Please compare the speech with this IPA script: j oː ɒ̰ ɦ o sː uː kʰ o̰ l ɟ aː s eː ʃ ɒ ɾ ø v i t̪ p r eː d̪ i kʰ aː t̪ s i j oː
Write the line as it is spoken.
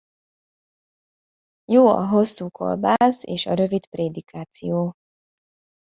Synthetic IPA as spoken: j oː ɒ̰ ɦ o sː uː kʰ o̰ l b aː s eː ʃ ɒ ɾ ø v i t̪ p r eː d̪ i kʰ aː t̪ s i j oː

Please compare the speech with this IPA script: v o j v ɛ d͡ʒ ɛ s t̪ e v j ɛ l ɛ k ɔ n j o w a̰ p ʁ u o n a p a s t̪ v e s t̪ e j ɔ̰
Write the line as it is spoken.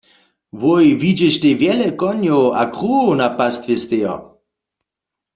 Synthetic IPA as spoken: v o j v i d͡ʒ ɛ ʃ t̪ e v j ɛ l ɛ k ɔ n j o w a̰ k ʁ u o n a p a s t̪ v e s t̪ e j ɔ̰

